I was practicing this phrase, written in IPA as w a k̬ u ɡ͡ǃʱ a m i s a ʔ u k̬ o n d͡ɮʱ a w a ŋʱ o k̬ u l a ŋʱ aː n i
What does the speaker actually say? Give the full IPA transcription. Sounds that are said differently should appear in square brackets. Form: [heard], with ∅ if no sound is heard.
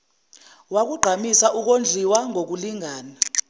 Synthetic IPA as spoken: w a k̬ u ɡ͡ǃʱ a m i s a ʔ u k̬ o n d͡ɮʱ [i] w a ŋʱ o k̬ u l [i] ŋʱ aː n [a]

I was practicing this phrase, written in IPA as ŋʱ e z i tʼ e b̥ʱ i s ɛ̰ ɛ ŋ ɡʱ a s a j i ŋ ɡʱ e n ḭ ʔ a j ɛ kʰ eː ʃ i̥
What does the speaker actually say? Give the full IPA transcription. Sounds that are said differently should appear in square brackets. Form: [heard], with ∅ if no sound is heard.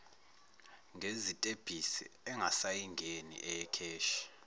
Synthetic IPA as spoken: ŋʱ e z i tʼ e b̥ʱ i s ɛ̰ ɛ ŋ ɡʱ a s a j i ŋ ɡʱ e n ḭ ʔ [ɛ] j ɛ kʰ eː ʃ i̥

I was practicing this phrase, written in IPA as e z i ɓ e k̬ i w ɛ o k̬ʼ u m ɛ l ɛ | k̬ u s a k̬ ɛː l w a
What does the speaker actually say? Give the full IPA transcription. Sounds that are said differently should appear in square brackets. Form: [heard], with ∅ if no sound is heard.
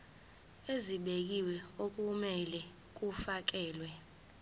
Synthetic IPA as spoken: e z i ɓ e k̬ i w ɛ o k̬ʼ u m ɛ l ɛ | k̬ u [f] a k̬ ɛː l w [ɛ]

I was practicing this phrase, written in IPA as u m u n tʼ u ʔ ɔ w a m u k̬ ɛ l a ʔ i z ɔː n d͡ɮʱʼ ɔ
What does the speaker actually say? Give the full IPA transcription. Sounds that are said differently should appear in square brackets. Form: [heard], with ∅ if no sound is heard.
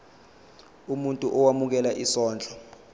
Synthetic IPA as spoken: u m u n tʼ u ʔ ɔ w a m u k̬ ɛ l a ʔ i [s] ɔː n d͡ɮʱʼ ɔ

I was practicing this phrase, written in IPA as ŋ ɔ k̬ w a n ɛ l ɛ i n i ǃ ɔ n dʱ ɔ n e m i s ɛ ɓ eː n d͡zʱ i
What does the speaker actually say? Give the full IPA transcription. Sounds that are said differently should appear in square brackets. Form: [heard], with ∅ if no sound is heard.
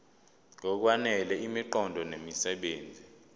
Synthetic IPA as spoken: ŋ ɔ k̬ w a n ɛ l ɛ i [m] i ǃ ɔ n dʱ ɔ n e m i s ɛ ɓ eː n d͡zʱ i

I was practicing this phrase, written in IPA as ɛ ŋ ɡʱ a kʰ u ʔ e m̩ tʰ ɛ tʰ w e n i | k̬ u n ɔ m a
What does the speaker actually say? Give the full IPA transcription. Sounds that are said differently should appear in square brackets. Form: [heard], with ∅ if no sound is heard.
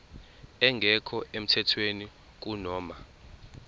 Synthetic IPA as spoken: ɛ ŋ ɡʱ [ɛ] kʰ [ɔ] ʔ e m̩ tʰ ɛ tʰ w e n i | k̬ u n [ɔː] m a

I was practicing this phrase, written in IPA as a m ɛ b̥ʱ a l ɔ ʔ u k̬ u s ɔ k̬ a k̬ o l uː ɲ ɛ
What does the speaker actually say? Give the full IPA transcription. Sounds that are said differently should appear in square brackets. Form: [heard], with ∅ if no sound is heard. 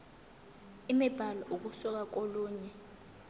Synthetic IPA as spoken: [i] m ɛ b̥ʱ a l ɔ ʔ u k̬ u s ɔ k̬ a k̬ o l uː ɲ ɛ

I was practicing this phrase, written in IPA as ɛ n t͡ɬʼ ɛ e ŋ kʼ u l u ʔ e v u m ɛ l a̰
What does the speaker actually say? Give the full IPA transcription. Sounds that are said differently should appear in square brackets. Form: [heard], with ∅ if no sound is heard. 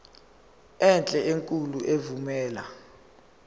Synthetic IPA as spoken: ɛ n t͡ɬʼ ɛ e ŋ kʼ u l u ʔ e v u m [ɛː] l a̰

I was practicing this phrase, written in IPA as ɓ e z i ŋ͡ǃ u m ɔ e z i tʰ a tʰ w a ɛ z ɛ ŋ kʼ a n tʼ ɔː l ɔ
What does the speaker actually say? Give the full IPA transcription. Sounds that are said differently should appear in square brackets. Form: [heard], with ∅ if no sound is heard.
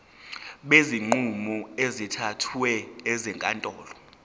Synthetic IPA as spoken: ɓ e z i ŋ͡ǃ u m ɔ e z i tʰ a tʰ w [ɛ] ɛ z ɛ ŋ kʼ a n tʼ ɔː l ɔ

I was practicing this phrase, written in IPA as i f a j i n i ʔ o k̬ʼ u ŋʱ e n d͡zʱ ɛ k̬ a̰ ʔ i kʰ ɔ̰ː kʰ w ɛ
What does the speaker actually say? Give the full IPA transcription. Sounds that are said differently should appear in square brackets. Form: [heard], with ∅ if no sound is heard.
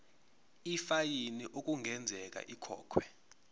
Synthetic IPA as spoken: i f a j i n i ʔ o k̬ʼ u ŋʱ [ɛ] n d͡zʱ ɛ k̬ a̰ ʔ i kʰ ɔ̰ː kʰ w ɛ

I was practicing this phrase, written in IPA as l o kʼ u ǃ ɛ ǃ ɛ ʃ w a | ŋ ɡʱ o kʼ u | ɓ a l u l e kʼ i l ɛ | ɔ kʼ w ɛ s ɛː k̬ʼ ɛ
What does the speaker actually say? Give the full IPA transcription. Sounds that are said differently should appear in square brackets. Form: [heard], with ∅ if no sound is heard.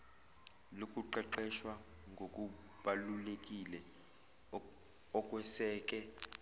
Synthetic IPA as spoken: l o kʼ u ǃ ɛ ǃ ɛ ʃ w a | ŋ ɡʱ o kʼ u | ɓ a l u l e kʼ i l ɛ | ɔ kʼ w ɛ s ɛː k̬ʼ ɛ

